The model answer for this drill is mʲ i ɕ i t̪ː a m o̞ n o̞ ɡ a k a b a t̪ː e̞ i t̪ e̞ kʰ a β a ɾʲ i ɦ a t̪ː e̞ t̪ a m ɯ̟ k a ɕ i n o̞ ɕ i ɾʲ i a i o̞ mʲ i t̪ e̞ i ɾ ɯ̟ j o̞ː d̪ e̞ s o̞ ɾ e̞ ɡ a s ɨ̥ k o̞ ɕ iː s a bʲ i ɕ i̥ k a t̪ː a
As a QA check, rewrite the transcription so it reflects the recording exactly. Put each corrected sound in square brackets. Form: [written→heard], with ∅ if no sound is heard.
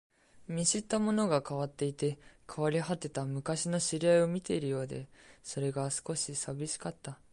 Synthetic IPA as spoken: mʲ i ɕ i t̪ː a m o̞ n o̞ ɡ a k a [b→β] a t̪ː e̞ i t̪ e̞ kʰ a β a ɾʲ i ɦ a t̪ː e̞ t̪ a m ɯ̟ k a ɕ i n o̞ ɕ i ɾʲ i a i o̞ mʲ i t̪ e̞ i ɾ ɯ̟ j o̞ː d̪ e̞ s o̞ ɾ e̞ ɡ a s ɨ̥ k o̞ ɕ [iː→i] s a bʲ i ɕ i̥ k a t̪ː a